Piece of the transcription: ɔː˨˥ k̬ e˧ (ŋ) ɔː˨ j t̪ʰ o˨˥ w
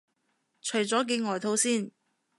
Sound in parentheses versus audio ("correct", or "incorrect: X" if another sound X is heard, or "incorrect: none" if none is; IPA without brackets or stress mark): correct